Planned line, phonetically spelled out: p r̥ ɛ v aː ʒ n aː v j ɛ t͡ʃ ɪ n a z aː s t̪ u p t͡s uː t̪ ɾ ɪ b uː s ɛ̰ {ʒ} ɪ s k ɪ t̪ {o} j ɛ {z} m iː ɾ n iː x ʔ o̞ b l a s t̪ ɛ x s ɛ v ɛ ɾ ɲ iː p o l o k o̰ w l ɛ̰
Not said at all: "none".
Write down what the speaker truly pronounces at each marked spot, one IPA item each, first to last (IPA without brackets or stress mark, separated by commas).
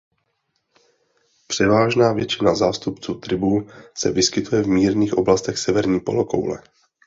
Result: v, u, v